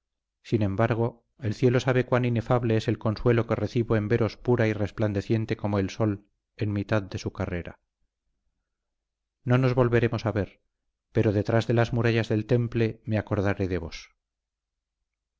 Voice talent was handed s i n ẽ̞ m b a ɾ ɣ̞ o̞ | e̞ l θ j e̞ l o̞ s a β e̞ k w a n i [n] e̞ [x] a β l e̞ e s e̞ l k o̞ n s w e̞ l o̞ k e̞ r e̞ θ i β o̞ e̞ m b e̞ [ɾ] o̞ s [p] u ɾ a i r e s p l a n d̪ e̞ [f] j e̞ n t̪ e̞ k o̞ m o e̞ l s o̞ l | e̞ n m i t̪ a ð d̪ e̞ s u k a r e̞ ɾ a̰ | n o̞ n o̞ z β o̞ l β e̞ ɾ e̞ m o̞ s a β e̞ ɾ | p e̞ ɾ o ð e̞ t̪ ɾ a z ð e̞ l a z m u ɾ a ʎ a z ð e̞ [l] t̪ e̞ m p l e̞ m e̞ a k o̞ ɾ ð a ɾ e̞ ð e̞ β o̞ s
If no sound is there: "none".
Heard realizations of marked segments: n, f, ɾ, p, θ, l

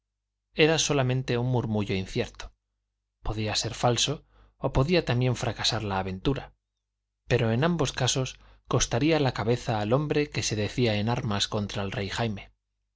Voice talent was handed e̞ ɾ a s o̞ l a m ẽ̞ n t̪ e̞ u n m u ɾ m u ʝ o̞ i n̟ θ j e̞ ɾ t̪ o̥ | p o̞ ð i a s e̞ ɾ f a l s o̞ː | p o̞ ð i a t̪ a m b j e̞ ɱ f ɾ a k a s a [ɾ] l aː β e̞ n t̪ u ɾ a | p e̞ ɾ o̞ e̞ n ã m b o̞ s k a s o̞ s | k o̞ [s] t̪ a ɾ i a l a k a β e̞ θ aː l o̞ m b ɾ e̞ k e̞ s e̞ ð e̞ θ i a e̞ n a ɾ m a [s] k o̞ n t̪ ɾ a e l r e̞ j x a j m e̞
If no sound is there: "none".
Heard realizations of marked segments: ɾ, s, s

